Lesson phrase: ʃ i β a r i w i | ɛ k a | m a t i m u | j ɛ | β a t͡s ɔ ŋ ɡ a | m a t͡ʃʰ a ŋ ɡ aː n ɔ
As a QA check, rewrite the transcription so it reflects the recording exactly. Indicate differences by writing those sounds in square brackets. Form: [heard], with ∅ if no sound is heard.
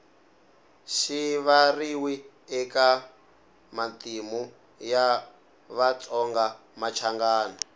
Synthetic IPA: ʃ i β a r i w i | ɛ k a | m a t i m u | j [a] | β a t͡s ɔ ŋ ɡ a | m a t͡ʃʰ a ŋ ɡ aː n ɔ